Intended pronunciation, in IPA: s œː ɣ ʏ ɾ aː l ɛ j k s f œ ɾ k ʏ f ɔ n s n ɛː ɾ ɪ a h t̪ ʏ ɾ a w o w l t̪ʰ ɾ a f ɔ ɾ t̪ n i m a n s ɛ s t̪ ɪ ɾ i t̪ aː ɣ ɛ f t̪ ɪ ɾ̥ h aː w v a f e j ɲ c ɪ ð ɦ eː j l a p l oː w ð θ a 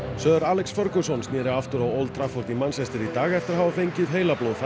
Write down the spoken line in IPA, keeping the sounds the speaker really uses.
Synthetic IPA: s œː ð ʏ ɾ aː l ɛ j k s f œ ɾ k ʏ s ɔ n s n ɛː ɾ ɪ a f t̪ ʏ ɾ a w o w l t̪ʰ ɾ a f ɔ ɾ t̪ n i m a n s ɛ s t̪ ɪ ɾ i t̪ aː ɣ ɛ f t̪ ɪ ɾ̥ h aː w v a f e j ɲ c ɪ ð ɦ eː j l a p l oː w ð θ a